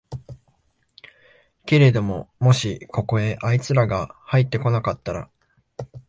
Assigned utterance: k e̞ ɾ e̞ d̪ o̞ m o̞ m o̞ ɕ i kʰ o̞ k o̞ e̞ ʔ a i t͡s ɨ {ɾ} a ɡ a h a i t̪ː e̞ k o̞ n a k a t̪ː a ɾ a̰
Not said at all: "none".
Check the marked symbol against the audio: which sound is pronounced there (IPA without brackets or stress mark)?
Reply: ɾ